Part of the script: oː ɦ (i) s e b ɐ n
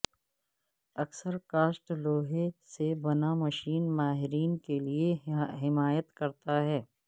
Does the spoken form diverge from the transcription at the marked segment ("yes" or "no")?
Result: yes